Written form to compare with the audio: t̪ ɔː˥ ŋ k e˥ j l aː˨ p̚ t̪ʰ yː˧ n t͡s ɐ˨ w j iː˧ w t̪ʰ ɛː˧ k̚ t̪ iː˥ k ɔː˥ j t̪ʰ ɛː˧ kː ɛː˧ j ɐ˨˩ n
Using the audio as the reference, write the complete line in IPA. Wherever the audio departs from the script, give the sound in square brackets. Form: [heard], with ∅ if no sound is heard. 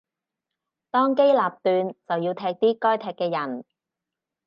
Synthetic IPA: t̪ ɔː˥ ŋ k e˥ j l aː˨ p̚ [t̪] yː˧ n t͡s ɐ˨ w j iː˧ w t̪ʰ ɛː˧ k̚ t̪ iː˥ k ɔː˥ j t̪ʰ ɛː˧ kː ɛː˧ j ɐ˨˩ n